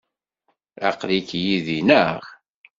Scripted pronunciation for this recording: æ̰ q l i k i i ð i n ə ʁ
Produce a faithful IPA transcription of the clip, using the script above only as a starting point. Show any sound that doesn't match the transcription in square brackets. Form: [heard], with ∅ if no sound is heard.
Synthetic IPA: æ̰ q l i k [j] i ð i n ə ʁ